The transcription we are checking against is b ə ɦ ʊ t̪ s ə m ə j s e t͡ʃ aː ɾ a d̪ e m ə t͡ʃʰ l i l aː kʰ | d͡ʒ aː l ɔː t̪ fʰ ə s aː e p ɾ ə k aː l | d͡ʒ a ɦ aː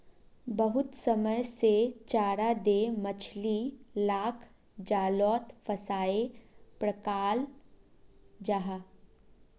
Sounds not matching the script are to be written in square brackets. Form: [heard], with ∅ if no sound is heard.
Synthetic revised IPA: b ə ɦ ʊ t̪ s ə m ə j s e t͡ʃ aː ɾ a d̪ e m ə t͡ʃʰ l i l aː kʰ | d͡ʒ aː l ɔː t̪ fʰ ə s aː e p ɾ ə k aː l | d͡ʒ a ɦ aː